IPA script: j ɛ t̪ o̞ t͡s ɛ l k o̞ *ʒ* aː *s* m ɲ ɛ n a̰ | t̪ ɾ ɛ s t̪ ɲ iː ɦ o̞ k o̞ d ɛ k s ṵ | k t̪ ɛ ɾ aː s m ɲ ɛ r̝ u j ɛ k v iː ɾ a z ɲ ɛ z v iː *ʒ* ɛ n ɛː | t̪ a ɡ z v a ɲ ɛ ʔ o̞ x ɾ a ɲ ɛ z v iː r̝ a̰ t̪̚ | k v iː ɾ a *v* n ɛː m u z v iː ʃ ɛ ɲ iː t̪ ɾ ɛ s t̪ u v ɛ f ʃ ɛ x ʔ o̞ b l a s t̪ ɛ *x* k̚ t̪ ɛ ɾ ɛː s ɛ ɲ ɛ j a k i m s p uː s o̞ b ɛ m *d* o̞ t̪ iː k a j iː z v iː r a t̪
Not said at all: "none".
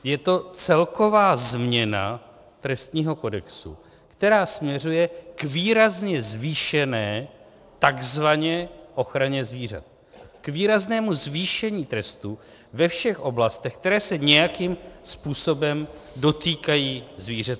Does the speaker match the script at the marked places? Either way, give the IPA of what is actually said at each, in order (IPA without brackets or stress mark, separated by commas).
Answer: v, z, ʃ, z, x, d